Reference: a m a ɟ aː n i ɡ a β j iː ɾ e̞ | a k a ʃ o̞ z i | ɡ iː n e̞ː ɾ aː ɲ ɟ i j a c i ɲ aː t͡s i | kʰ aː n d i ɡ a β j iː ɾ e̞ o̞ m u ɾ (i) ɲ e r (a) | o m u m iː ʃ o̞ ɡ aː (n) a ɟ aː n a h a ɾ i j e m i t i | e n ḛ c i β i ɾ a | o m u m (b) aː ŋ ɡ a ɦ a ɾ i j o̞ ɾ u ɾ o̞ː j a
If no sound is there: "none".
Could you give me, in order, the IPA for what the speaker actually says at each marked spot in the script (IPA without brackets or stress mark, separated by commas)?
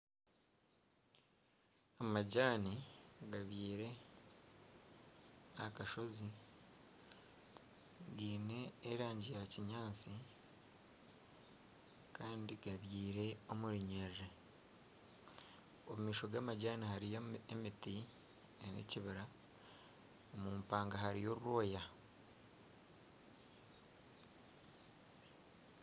i, e, m, p